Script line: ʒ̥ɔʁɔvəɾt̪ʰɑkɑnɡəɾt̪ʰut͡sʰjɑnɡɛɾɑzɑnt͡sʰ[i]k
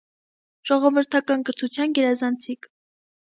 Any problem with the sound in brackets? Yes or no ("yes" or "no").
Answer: no